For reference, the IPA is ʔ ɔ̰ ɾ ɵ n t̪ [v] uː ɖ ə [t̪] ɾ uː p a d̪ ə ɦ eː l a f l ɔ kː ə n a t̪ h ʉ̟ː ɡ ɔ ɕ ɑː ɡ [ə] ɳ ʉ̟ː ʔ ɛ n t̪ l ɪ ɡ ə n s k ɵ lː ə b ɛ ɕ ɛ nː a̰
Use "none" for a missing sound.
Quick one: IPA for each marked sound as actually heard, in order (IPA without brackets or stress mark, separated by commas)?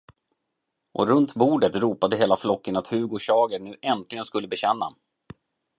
b, t̪, ə